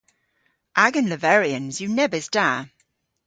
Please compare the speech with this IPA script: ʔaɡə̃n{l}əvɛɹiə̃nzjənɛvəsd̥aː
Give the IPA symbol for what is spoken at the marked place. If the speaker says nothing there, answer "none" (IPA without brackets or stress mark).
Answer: l